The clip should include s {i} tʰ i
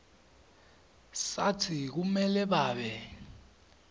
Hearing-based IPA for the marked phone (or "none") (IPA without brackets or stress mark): a